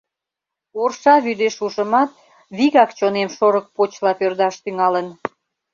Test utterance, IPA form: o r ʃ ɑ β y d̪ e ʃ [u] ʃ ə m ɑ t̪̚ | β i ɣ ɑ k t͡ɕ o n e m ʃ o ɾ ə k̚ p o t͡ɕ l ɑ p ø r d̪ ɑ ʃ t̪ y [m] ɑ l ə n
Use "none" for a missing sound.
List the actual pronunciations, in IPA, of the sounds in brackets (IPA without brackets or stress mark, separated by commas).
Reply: u, ŋ